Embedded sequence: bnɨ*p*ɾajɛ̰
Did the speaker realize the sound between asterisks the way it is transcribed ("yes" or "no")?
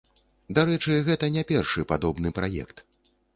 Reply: yes